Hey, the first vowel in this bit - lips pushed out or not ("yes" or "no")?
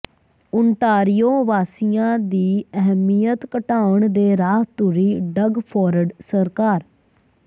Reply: yes